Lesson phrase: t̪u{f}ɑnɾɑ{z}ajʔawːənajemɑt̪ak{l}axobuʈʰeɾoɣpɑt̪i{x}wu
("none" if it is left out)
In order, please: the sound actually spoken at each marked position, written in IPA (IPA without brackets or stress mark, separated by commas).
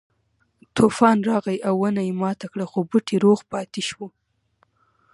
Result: f, ɣ, ɽ, ʃ